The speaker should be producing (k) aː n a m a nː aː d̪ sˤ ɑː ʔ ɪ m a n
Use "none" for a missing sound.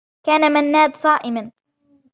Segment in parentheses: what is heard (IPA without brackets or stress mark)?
k